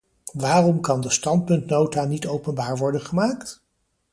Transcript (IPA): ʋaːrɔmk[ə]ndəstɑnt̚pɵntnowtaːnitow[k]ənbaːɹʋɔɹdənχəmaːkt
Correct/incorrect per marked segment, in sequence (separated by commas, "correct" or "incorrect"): incorrect, incorrect